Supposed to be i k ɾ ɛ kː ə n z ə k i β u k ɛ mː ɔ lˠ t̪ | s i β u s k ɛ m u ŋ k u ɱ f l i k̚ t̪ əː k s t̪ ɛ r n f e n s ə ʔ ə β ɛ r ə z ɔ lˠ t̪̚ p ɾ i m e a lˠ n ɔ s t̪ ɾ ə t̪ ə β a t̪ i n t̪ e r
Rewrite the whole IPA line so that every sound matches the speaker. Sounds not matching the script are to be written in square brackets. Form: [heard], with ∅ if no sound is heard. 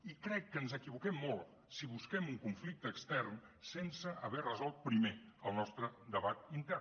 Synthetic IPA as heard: i k ɾ ɛ kː ə n z ə k i β u k ɛ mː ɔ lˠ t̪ | s i β u s k ɛ m u ŋ k u ɱ f l i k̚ t̪ əː k s t̪ ɛ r n [s] e n s ə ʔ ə β ɛ r ə z ɔ lˠ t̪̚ p ɾ i m e [ə] lˠ n ɔ s t̪ ɾ ə [d̪] ə β a t̪ i n t̪ [ɛ] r